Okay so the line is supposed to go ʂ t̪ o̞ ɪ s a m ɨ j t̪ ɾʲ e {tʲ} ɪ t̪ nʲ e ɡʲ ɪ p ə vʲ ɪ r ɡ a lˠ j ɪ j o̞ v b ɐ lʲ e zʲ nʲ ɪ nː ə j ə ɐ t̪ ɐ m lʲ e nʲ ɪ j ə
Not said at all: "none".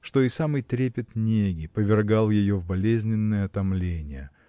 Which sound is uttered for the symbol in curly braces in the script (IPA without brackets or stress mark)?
pʲ